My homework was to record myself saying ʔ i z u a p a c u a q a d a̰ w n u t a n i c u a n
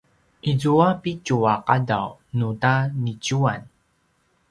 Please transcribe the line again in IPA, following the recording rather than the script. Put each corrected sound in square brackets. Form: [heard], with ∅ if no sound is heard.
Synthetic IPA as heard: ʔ i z u a p [i] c u a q a d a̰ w n u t a n i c u a n